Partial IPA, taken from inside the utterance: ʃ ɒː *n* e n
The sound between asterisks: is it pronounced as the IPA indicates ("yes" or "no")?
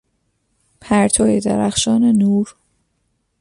yes